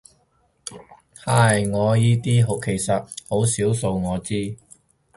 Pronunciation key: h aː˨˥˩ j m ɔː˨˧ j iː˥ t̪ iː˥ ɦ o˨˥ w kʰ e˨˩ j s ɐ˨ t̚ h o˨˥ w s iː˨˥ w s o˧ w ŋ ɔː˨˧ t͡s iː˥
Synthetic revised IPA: h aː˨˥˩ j ŋ ɔː˨˧ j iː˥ t̪ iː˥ ɦ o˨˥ w kʰ e˨˩ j s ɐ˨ t̚ h o˨˥ w s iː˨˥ w s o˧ w ŋ ɔː˨˧ t͡s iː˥